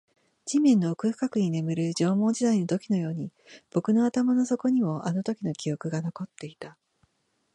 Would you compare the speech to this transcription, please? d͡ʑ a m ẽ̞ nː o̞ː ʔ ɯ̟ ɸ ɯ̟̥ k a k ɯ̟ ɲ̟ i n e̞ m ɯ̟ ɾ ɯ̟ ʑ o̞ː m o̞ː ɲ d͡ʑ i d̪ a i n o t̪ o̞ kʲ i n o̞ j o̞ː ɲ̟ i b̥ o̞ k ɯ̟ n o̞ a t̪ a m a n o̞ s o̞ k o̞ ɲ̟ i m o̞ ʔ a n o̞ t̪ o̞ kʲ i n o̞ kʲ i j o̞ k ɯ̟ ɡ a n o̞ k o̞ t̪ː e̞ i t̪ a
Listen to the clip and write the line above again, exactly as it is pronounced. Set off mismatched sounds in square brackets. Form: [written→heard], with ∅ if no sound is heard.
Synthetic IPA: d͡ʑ [a→i] m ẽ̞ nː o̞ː [ʔ→k] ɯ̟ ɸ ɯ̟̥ k a k ɯ̟ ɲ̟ i n e̞ m ɯ̟ ɾ ɯ̟ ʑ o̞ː m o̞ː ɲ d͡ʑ i d̪ a i n o t̪ o̞ kʲ i n o̞ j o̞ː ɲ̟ i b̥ o̞ k ɯ̟ n o̞ a t̪ a m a n o̞ s o̞ k o̞ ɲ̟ i m o̞ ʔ a n o̞ t̪ o̞ kʲ i n o̞ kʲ i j o̞ k ɯ̟ ɡ a n o̞ k o̞ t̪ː e̞ i t̪ a